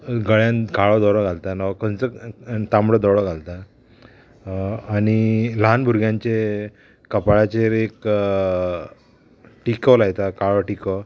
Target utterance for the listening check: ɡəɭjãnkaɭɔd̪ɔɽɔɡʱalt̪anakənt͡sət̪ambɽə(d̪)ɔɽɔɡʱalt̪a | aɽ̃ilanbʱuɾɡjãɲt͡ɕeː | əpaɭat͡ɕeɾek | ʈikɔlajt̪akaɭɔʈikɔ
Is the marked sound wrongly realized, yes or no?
no